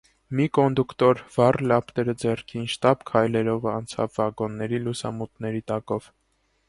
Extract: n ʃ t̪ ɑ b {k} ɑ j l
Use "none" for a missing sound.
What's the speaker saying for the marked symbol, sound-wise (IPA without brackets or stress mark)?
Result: kʰ